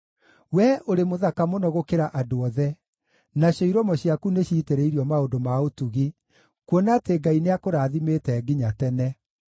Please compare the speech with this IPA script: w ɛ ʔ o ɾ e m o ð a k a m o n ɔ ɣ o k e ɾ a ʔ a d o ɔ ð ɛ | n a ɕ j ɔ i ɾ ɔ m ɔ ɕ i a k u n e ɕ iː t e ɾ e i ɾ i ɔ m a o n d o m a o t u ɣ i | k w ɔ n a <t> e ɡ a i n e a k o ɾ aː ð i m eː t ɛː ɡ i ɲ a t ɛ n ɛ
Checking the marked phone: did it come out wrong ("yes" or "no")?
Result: no